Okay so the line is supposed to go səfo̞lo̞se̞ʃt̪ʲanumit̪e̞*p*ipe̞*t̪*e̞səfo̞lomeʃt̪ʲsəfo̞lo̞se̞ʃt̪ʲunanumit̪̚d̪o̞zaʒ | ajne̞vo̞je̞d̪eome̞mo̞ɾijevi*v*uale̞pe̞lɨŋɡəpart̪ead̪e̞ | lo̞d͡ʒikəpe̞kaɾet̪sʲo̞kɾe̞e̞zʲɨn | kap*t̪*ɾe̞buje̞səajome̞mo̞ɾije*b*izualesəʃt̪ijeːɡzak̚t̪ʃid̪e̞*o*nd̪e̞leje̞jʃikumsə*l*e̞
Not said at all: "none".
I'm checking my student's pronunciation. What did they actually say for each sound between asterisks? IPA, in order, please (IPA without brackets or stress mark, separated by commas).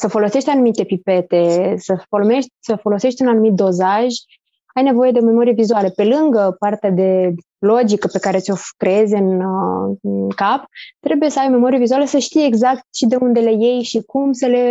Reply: p, t̪, z, t̪, v, u, l